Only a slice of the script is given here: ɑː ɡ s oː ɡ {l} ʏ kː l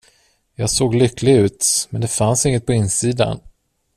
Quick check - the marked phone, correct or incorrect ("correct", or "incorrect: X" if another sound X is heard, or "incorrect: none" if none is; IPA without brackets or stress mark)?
correct